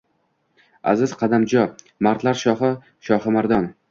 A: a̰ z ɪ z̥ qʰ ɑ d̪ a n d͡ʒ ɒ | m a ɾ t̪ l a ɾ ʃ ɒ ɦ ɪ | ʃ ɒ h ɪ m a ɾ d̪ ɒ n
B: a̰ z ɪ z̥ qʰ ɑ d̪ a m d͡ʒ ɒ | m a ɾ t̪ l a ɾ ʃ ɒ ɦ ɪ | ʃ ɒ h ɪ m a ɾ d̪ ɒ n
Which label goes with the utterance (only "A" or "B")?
B